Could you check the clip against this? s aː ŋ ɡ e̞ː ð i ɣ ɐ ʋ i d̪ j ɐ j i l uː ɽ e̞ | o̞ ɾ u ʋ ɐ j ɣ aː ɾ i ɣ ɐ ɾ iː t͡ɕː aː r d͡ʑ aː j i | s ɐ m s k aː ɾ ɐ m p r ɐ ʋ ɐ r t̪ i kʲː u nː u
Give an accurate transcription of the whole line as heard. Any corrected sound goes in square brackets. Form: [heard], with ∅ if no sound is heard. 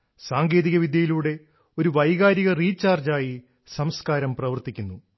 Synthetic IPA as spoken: s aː ŋ ɡ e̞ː ð i ɣ ɐ ʋ i d̪ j ɐ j i l uː ɽ e̞ | o̞ ɾ u ʋ ɐ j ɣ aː ɾ i ɣ ɐ [r] iː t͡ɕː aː r d͡ʑ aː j i | s ɐ m s k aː ɾ ɐ m p r ɐ ʋ ɐ r t̪ i kʲː u nː u